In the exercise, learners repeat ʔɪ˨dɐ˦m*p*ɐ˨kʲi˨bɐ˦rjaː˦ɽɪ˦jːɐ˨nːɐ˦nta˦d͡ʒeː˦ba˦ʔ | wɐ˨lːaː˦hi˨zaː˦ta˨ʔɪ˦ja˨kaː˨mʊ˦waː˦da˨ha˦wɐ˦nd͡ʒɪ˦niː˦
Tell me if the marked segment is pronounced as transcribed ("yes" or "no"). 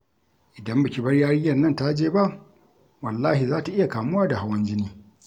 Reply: no